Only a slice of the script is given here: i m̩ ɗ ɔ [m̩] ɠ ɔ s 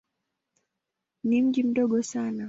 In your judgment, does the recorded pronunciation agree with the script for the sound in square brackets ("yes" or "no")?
no